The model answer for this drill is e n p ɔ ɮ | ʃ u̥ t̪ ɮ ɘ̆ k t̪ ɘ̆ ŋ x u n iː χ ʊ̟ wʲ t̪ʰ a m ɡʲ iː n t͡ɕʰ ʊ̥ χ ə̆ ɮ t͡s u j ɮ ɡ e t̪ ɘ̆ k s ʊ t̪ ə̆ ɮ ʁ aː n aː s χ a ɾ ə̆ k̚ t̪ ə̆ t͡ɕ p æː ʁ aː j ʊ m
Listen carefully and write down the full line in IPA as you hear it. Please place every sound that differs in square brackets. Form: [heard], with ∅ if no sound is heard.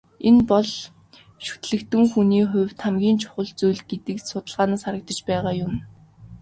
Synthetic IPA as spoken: e n p ɔ ɮ | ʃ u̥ t̪ ɮ ɘ̆ k t̪ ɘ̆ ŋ x u n iː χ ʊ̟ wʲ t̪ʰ a m ɡʲ iː n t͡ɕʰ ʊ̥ χ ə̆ ɮ t͡s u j ɮ ɡ e t̪ ɘ̆ k s ʊ t̪ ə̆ ɮ ʁ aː n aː s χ a ɾ ə̆ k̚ t̪ ə̆ t͡ɕ p æː ʁ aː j ʊ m